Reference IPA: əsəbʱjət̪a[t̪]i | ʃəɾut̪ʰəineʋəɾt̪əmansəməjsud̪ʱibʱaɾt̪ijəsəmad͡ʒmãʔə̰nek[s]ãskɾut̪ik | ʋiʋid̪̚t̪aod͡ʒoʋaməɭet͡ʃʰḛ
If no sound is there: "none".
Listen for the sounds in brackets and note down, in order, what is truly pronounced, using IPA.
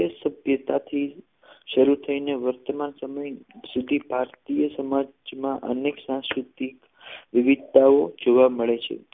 t̪ʰ, s

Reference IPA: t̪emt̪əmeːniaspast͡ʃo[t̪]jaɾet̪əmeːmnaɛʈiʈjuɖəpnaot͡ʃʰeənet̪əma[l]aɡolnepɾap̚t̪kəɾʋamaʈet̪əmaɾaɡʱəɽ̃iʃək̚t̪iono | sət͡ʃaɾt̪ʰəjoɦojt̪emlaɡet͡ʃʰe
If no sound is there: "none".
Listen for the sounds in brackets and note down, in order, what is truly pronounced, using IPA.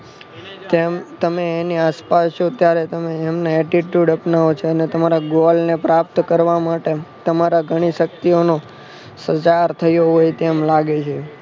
t̪, ɾ

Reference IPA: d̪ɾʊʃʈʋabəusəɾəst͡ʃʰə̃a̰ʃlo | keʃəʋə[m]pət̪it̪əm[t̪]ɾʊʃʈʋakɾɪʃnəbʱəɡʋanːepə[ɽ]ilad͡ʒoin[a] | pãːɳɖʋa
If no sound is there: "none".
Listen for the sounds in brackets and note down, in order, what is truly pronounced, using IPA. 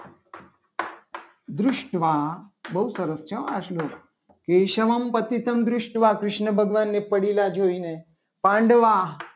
m, d̪, ɽ, e

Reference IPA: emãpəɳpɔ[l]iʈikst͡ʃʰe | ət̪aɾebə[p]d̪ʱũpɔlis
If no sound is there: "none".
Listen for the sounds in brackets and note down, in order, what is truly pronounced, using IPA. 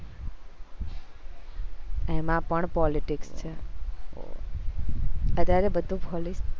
l, none

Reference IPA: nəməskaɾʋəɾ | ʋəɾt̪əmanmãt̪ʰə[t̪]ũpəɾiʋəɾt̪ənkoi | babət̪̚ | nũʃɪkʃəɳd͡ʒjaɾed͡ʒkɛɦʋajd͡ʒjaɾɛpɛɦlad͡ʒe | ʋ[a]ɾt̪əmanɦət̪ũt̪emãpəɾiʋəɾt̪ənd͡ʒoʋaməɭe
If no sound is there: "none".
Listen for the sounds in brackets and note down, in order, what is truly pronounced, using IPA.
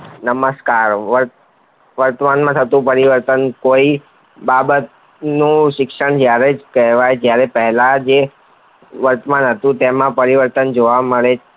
t̪, ə

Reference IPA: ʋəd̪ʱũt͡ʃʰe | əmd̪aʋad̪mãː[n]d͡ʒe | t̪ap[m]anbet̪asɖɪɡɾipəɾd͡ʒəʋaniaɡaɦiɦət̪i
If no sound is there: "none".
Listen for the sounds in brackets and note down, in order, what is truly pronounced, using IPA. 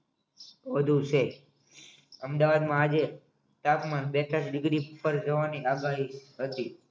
none, m

